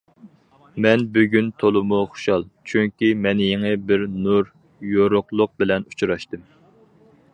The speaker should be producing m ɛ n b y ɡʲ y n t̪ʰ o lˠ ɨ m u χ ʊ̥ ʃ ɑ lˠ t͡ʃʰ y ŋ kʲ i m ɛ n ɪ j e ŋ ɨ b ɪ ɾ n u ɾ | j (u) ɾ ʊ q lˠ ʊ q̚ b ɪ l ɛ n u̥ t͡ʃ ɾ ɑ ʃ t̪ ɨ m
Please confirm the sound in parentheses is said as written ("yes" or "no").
no